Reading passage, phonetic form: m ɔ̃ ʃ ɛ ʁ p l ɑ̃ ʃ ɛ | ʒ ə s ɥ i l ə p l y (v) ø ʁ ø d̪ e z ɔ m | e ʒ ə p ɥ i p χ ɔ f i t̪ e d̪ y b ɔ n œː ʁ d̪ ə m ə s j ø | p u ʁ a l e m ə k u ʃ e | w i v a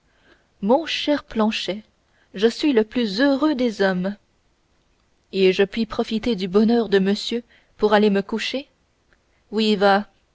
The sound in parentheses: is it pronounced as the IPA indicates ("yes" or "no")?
no